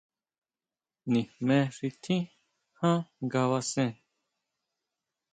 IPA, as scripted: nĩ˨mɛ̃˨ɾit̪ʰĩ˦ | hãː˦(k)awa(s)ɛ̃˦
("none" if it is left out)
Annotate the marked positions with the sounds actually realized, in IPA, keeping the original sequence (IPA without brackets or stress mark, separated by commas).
ɡ, s